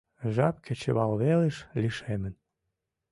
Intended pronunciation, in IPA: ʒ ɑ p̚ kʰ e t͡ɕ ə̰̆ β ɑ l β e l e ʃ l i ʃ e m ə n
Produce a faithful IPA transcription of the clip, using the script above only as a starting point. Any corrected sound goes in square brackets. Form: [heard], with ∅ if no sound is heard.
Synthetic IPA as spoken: ʒ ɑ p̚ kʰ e t͡ɕ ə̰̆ β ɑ l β e l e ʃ l i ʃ e m ə n